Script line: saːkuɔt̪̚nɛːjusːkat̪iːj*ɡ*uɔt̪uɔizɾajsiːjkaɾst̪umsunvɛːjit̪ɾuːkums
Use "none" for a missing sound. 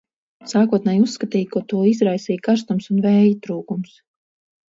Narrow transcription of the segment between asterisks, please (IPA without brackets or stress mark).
k